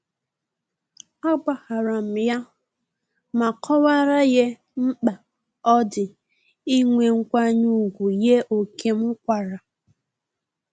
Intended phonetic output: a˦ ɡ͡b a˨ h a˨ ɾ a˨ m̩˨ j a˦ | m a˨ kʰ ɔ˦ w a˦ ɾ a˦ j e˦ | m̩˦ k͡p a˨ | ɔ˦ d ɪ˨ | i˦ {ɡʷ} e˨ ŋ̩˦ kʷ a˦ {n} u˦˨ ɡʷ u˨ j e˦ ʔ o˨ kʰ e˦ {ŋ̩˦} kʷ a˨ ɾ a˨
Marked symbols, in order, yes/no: no, no, no

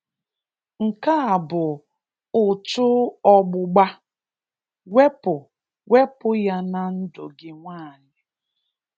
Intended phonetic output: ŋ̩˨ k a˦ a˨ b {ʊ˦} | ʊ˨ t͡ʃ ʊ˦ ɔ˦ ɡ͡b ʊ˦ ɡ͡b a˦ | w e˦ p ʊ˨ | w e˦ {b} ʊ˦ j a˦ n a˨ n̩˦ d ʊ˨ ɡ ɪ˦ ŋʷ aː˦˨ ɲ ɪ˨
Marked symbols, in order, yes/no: no, no

